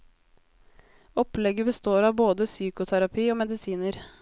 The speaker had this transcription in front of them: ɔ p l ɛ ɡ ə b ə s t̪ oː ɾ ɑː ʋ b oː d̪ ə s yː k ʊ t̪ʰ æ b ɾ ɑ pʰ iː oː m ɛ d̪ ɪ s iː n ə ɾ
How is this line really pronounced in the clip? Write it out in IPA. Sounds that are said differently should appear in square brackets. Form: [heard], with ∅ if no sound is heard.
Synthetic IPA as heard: ɔ p l ɛ ɡ ə b ə s t̪ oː ɾ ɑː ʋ b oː d̪ ə s yː k ʊ t̪ʰ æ [∅] ɾ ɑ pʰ iː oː m ɛ d̪ ɪ s iː n ə ɾ

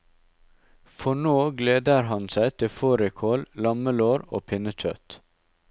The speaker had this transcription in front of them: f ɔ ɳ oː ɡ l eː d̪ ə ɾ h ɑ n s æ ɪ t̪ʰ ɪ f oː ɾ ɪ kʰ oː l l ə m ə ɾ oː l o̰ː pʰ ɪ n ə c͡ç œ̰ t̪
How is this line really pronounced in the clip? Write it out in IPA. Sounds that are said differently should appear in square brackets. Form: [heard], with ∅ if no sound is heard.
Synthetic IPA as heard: f ɔ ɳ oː ɡ l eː d̪ ə ɾ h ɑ n s æ ɪ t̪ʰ ɪ f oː ɾ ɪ kʰ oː l l [ɑ] m ə [l] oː [ɾ] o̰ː pʰ ɪ n ə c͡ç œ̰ t̪

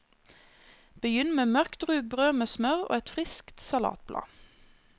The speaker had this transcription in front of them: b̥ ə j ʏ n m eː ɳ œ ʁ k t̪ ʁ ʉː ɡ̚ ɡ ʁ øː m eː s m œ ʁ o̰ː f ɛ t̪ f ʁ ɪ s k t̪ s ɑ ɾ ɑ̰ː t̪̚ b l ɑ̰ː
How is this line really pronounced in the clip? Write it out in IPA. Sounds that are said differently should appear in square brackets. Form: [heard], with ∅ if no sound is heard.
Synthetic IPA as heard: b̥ ə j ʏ n m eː [m] œ ʁ k t̪ ʁ ʉː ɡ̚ [b] ʁ øː m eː s m œ ʁ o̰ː [∅] ɛ t̪ f ʁ ɪ s k t̪ s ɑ [l] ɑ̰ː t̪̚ b l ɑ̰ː

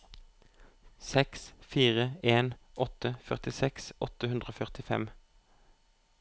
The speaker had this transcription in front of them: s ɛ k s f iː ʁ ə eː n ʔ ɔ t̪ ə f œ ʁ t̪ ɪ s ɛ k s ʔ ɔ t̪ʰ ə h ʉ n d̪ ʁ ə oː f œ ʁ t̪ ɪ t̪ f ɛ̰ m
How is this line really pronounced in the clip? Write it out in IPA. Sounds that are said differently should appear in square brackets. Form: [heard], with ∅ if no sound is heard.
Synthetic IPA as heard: s ɛ k s f iː ʁ ə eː n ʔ ɔ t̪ ə f œ ʁ t̪ ɪ s ɛ k s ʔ ɔ [t̪] ə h ʉ n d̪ ʁ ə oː f œ ʁ t̪ ɪ [∅] f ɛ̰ m

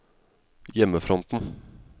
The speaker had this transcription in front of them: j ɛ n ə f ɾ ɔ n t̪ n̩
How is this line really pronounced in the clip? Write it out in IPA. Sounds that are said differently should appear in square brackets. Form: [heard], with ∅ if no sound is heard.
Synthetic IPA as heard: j ɛ [m] ə f ɾ ɔ n t̪ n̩

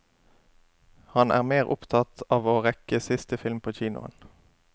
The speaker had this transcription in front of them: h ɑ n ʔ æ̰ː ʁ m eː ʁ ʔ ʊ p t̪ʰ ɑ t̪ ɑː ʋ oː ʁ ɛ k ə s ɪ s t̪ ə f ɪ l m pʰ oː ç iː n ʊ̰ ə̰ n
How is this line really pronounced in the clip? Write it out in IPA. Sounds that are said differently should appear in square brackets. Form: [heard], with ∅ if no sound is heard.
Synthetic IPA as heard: h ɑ n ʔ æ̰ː ʁ m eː ʁ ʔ ʊ p t̪ʰ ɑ t̪ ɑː ʋ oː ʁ ɛ k ə s ɪ s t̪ ə f ɪ l m pʰ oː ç iː n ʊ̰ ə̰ n

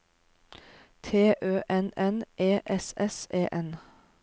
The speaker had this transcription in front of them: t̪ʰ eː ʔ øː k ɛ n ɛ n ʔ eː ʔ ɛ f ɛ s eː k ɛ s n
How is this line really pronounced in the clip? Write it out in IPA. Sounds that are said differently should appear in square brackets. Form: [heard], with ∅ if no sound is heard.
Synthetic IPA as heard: t̪ʰ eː ʔ øː [ʔ] ɛ n ɛ n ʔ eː ʔ ɛ [s] ɛ s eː [ʔ] ɛ [∅] n

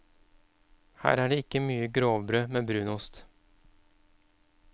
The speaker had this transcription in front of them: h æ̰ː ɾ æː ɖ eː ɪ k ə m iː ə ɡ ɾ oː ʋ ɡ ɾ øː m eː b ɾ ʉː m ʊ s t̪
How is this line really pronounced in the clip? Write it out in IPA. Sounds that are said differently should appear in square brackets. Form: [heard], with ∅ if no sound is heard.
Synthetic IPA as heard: h æ̰ː ɾ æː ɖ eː ɪ k ə m [yː] ə ɡ ɾ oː ʋ [b] ɾ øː m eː b ɾ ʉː [n] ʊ s t̪

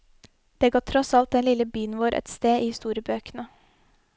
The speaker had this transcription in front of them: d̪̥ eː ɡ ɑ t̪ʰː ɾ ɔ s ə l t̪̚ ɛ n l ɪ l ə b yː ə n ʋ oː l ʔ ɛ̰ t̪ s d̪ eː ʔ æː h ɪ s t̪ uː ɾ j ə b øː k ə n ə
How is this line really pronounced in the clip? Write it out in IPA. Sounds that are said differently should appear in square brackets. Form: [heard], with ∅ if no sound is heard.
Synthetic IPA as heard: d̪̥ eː ɡ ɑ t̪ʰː ɾ ɔ s [ɑ] l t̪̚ ɛ n l ɪ l ə b yː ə n ʋ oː [ɾ] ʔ ɛ̰ t̪ s [t̪] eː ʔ [iː] h ɪ s t̪ uː ɾ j ə b øː k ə n ə

